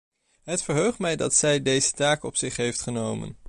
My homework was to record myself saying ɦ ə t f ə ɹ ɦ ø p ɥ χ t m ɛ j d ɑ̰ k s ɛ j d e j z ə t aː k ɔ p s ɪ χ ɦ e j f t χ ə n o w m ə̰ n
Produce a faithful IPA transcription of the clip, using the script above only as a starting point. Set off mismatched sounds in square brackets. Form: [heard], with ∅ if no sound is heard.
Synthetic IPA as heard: ɦ ə t f ə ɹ ɦ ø [∅] ɥ χ t m ɛ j d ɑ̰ [t] s ɛ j d e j z ə t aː k ɔ p s ɪ χ ɦ e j f t χ ə n o w m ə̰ n